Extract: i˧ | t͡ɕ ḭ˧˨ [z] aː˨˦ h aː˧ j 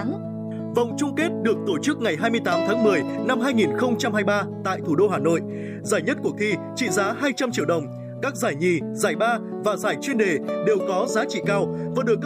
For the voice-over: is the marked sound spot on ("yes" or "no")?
yes